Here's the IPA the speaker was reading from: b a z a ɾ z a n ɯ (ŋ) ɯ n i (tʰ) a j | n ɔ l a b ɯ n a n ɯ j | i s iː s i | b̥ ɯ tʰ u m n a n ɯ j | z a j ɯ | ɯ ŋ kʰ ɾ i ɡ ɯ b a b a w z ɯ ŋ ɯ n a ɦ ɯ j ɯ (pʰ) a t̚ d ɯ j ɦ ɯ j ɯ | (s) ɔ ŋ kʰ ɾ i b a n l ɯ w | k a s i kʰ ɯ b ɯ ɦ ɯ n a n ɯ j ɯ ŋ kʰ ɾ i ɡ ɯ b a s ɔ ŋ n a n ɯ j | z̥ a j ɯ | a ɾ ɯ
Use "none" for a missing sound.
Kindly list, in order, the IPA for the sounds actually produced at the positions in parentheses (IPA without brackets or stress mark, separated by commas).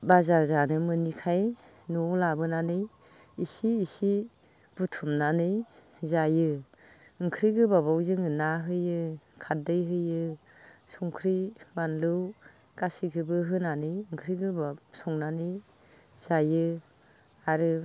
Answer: m, kʰ, kʰ, s